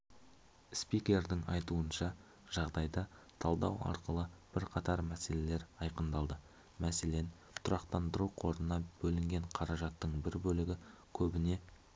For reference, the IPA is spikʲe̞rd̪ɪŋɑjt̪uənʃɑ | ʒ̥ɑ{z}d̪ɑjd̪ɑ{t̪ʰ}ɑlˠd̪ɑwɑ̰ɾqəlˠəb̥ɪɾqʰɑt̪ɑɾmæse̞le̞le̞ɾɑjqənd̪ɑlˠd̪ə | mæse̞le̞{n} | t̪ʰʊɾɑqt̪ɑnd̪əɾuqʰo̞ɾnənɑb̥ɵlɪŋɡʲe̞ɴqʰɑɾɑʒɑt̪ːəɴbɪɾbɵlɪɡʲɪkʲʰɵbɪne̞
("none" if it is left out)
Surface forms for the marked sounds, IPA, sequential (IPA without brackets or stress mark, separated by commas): ʁ, t̪ʰ, n